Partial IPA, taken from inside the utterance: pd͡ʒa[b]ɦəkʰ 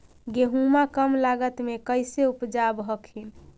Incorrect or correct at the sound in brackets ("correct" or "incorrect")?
correct